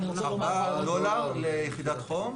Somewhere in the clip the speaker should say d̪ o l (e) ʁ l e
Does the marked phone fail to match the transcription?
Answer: yes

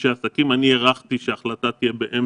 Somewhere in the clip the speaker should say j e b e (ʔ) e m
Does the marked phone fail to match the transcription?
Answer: no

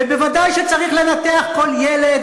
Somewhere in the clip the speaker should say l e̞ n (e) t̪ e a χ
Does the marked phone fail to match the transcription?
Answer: yes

